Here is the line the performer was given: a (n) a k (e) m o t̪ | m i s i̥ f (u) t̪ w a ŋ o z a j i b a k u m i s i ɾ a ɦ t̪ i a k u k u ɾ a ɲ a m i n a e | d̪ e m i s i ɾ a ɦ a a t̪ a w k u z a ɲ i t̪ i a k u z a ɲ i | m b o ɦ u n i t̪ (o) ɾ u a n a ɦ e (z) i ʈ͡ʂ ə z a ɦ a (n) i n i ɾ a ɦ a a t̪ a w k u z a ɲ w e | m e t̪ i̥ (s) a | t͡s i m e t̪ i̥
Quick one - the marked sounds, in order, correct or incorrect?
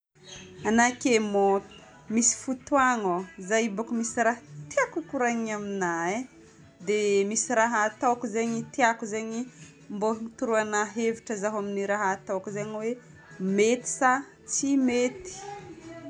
correct, correct, correct, incorrect: u, incorrect: v, incorrect: m, correct

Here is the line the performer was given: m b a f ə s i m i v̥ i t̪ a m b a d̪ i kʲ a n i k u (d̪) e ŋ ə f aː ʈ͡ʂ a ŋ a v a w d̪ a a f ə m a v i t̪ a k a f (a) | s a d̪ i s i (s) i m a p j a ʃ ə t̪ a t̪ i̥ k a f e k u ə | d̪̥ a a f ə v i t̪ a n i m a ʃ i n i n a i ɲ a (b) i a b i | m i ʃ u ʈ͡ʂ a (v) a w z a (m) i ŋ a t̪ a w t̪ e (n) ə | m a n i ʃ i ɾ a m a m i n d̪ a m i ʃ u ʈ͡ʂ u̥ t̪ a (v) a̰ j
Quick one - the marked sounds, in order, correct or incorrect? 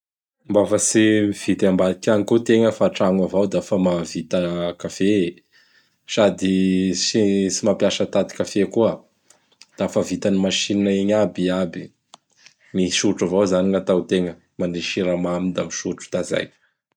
incorrect: t̪, incorrect: e, correct, correct, correct, incorrect: n, incorrect: ŋ, incorrect: z

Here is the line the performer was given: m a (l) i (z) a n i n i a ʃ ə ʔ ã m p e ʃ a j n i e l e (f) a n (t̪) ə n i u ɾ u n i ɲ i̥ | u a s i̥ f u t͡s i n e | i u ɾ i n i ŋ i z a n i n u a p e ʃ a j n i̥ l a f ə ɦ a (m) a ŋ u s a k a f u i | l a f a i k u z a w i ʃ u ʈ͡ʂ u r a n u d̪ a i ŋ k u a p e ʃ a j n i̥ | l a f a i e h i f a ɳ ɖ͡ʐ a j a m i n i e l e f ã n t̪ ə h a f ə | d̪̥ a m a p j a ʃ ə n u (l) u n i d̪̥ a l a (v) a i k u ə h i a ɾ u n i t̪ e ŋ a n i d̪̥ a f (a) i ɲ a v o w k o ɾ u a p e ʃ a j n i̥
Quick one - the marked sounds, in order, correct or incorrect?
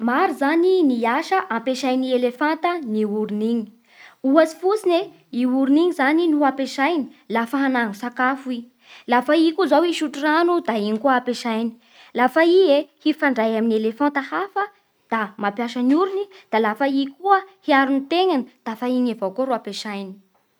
incorrect: ɾ, correct, correct, correct, incorrect: n, incorrect: ɾ, incorrect: f, correct

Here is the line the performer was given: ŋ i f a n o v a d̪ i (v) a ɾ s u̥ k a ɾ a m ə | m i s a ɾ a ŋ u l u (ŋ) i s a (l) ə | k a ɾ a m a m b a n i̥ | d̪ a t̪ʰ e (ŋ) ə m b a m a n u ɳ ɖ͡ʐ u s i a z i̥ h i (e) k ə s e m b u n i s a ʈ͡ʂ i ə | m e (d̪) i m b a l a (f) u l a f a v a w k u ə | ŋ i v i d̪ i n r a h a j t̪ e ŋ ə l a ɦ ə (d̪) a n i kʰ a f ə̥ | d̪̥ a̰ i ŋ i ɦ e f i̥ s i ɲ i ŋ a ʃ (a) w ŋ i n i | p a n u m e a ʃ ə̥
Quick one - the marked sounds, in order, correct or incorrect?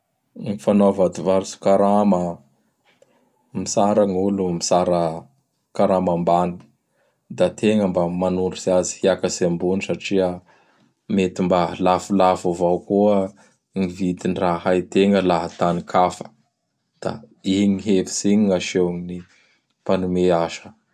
correct, incorrect: m, incorrect: ɾ, correct, incorrect: a, incorrect: t̪, correct, incorrect: t̪, incorrect: e

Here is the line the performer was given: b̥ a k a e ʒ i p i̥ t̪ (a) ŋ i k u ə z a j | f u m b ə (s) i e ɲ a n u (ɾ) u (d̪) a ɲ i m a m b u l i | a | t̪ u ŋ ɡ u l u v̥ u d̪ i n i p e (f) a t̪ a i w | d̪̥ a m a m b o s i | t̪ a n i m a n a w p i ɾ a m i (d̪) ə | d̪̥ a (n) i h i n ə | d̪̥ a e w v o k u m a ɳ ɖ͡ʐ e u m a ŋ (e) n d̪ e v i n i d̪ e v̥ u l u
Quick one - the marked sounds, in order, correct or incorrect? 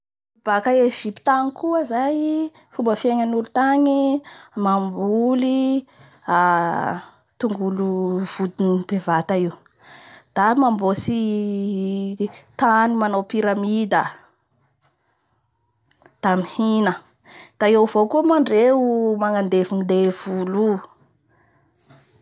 correct, incorrect: f, incorrect: l, incorrect: t̪, incorrect: v, correct, incorrect: m, incorrect: a

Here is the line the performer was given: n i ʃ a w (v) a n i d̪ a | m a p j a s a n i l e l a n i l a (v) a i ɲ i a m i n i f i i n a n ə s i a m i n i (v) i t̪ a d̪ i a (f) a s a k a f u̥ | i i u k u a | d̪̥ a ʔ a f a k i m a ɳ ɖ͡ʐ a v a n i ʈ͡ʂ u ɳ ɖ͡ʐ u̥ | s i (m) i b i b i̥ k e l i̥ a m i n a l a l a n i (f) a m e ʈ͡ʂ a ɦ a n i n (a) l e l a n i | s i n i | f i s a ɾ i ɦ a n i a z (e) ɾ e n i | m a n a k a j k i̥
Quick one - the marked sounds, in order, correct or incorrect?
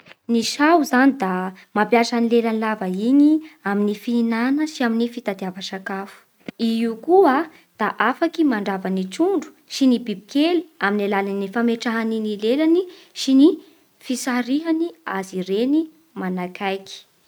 incorrect: z, correct, incorrect: f, incorrect: v, incorrect: n, correct, incorrect: i, incorrect: i

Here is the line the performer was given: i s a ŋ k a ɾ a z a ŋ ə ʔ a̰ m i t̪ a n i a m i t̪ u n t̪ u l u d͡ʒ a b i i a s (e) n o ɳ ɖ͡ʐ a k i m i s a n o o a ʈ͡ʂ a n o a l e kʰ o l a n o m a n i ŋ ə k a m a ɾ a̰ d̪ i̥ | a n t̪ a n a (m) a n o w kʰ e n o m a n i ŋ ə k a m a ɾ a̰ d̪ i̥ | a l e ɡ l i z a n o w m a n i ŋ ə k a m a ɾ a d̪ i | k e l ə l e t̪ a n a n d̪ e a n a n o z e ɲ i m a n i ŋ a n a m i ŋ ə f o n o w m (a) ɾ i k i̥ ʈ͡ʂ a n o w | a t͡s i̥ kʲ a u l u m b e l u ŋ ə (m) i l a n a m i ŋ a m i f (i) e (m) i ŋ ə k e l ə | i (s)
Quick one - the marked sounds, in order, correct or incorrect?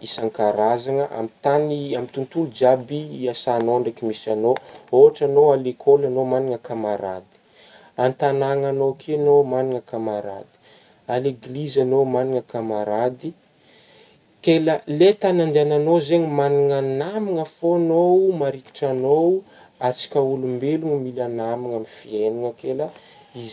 incorrect: a, incorrect: ŋ, correct, correct, correct, incorrect: n, incorrect: z

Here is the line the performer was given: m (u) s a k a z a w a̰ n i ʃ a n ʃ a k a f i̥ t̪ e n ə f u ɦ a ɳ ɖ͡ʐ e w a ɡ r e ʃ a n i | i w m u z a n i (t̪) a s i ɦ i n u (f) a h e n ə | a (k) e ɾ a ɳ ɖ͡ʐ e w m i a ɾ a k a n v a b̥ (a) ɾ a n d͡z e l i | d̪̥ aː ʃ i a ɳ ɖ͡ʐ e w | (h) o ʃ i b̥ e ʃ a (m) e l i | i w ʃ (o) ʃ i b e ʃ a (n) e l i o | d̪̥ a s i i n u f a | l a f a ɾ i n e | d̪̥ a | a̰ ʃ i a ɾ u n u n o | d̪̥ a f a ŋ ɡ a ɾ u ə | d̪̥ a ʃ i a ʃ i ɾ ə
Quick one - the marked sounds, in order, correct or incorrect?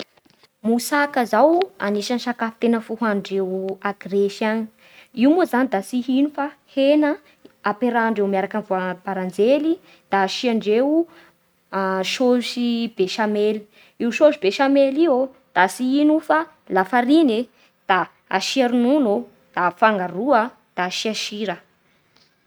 correct, incorrect: d̪, correct, incorrect: p, correct, incorrect: ʃ, correct, correct, incorrect: m

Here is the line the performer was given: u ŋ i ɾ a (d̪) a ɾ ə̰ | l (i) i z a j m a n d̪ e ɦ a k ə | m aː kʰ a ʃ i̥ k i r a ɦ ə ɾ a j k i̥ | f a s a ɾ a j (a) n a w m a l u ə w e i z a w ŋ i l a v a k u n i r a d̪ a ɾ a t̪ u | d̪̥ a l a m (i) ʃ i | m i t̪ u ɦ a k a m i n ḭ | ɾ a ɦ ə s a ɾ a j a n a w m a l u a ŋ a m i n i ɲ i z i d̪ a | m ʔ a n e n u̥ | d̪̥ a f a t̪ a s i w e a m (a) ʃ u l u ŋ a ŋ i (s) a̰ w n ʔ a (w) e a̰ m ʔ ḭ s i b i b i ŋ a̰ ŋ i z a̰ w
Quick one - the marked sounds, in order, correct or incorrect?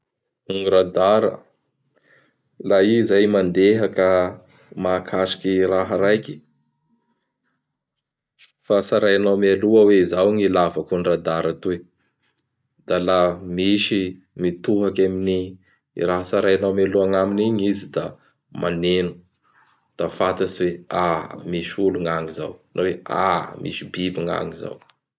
correct, incorrect: a, correct, correct, incorrect: i, incorrect: z, correct

